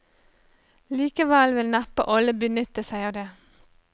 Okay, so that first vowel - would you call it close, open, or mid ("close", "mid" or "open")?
close